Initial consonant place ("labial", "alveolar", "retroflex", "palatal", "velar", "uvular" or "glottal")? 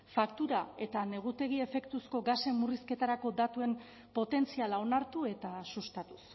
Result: labial